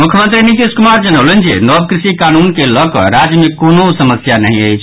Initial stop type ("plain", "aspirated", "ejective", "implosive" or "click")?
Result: aspirated